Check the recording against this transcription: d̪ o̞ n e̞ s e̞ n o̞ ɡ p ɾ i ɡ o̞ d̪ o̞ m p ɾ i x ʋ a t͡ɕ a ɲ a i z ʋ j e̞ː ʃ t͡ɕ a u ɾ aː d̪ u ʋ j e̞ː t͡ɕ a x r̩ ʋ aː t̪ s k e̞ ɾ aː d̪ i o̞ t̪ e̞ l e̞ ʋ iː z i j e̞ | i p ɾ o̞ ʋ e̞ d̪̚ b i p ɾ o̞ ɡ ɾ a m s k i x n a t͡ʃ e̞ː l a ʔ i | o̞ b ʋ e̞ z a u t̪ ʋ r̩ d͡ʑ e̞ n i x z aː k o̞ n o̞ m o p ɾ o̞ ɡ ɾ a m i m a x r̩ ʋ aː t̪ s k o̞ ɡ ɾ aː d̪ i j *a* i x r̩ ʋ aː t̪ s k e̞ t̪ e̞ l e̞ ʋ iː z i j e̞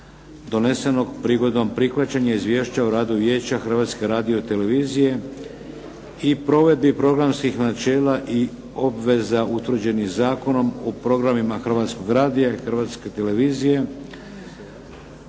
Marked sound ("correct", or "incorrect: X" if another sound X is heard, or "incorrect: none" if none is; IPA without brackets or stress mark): correct